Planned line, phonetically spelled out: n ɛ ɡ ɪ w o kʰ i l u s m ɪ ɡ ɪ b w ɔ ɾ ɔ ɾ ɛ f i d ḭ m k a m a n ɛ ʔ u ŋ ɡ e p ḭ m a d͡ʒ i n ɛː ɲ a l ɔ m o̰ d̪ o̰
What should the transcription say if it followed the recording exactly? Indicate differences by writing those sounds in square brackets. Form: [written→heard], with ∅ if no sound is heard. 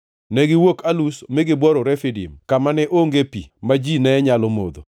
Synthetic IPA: n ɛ ɡ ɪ w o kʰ [i→a] l u s m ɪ ɡ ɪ b w ɔ ɾ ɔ ɾ ɛ f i d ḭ m k a m a n ɛ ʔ [u→o] ŋ ɡ e p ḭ m a d͡ʒ i n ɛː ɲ a l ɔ m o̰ d̪ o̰